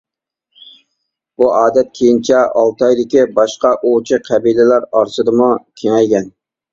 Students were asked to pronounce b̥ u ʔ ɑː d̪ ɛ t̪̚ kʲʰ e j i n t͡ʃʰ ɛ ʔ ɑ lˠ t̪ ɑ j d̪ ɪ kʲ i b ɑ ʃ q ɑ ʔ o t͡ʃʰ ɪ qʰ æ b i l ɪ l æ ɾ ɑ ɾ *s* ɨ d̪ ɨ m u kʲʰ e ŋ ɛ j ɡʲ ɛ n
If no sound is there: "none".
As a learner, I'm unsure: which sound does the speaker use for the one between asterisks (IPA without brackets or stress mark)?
s